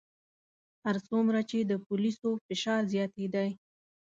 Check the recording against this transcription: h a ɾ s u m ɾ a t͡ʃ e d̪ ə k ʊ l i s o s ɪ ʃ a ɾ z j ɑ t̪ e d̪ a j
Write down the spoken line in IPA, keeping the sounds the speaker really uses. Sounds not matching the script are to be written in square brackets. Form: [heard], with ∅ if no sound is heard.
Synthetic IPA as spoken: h a ɾ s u m ɾ a t͡ʃ e d̪ ə [p] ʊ l i s o [f] ɪ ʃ [ɑ] ɾ z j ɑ t̪ e d̪ a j